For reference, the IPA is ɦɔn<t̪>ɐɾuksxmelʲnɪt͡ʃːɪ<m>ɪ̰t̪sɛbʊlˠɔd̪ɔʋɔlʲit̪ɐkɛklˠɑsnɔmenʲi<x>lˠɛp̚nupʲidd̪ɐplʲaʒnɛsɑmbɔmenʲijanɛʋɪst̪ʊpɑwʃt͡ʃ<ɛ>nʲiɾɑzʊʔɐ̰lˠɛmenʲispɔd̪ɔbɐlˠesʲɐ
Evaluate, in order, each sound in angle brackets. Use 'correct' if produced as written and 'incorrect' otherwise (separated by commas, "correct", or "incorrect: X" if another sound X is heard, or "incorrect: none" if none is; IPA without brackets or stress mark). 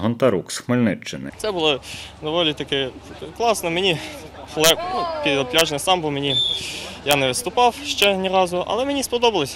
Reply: correct, incorrect: n, correct, correct